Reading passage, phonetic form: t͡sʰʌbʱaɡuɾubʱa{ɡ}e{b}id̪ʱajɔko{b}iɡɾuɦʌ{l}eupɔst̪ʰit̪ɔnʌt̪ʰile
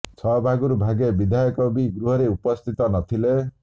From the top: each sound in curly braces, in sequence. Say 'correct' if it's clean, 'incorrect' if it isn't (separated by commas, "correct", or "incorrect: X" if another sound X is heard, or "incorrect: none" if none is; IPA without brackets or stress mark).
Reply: correct, correct, correct, incorrect: ɾ